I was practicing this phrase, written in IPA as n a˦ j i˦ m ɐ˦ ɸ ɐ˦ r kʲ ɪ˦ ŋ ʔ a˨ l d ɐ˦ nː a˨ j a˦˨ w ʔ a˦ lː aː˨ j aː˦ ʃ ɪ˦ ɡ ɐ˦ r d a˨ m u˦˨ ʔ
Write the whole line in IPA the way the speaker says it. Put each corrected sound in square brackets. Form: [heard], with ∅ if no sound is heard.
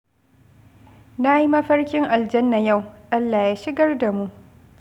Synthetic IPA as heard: n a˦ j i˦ m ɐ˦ ɸ ɐ˦ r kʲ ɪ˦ ŋ ʔ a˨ l [d͡ʒ] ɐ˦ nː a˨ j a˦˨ w ʔ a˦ lː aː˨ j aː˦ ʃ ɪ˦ ɡ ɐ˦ r d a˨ m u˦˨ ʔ